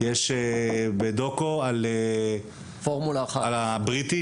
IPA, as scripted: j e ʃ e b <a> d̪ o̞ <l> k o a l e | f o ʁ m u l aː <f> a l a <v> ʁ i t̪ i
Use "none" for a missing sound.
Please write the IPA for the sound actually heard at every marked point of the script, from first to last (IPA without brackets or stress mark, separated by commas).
e, none, χ, b